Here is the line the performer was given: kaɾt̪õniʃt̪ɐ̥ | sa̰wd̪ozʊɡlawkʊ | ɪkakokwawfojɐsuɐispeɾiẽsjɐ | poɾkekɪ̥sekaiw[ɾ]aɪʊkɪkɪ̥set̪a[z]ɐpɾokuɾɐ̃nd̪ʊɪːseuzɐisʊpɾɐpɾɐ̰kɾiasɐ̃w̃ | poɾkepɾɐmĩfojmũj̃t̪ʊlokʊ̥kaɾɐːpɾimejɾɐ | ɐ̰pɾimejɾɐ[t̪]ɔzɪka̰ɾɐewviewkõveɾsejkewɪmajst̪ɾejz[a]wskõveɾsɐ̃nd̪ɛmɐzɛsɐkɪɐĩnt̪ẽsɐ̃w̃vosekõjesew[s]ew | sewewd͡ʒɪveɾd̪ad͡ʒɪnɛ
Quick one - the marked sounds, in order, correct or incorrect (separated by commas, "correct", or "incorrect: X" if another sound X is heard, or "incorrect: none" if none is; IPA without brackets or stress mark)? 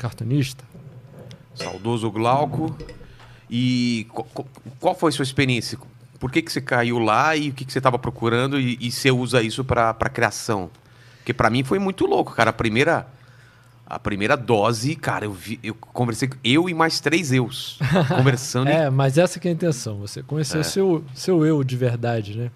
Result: incorrect: l, incorrect: v, incorrect: d̪, incorrect: e, correct